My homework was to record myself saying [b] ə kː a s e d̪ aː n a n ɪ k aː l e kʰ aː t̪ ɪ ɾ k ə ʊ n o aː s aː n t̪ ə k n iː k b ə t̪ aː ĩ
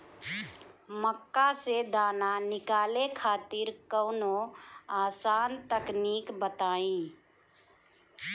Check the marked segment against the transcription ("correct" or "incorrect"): incorrect